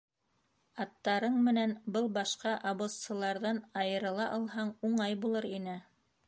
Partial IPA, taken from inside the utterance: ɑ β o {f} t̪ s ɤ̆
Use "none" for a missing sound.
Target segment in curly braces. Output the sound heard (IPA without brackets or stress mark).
s